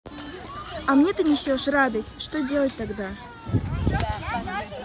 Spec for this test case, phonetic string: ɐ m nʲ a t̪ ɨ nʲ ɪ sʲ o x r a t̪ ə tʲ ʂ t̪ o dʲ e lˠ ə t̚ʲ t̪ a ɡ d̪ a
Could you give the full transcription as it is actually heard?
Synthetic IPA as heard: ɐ m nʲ e t̪ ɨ nʲ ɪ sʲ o ʂ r a d̪ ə tʲ ʂ t̪ o dʲ e lˠ ə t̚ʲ t̪ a ɡ d̪ a